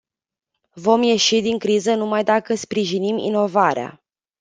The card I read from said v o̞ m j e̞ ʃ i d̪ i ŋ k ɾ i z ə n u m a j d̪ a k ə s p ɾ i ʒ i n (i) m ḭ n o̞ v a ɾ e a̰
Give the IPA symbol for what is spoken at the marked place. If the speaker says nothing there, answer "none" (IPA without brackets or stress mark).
i